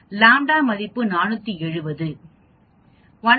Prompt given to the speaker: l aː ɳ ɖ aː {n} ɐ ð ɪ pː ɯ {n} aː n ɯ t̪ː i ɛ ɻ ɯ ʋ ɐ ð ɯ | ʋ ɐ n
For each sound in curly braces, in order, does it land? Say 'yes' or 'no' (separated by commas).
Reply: no, yes